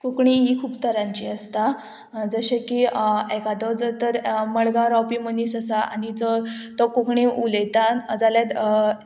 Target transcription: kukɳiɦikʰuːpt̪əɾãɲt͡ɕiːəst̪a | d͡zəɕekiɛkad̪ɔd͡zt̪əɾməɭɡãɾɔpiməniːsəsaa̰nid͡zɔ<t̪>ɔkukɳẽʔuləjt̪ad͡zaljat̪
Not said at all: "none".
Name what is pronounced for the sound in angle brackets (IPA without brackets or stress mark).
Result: t̪